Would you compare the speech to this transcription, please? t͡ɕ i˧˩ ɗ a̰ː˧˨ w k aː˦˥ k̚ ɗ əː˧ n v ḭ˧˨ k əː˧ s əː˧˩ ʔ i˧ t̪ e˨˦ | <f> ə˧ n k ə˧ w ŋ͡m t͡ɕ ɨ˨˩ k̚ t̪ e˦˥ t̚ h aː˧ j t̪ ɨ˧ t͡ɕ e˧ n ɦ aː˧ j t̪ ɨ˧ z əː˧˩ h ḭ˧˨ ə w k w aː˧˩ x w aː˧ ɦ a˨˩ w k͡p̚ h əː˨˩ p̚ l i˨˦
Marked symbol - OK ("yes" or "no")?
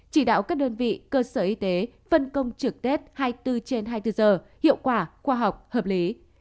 yes